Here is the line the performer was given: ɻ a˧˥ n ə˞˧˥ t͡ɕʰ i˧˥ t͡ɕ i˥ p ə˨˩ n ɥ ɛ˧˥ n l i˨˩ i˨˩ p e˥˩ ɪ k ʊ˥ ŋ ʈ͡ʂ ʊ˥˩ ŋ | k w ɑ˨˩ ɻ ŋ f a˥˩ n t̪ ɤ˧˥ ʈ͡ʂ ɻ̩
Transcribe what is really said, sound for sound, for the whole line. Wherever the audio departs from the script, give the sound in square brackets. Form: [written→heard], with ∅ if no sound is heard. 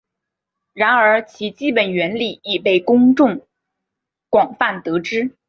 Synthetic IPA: ɻ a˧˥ n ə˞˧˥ t͡ɕʰ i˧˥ t͡ɕ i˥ p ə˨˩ n ɥ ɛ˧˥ n l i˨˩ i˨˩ p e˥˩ ɪ k ʊ˥ ŋ ʈ͡ʂ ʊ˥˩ ŋ | k w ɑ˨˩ [ɻ→∅] ŋ f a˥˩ n t̪ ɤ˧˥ ʈ͡ʂ ɻ̩